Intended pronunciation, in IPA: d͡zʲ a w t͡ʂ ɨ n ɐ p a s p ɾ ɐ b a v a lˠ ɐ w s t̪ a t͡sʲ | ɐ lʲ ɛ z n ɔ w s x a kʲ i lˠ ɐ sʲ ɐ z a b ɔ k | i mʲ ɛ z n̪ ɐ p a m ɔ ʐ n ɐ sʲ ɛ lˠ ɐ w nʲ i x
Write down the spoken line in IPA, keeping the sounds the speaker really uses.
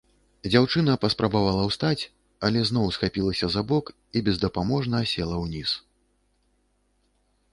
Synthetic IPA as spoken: d͡zʲ a w t͡ʂ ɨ n ɐ p ɐ s p ɾ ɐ b a v a lˠ ɐ w s t̪ a t͡sʲ | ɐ lʲ ɛ z n ɔ w s x a pʲ i lˠ ɐ sʲ ɐ z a b ɔ k | i bʲ ɛ z d̪ ɐ p a m ɔ ʐ n ɐ sʲ ɛ lˠ ɐ w nʲ i s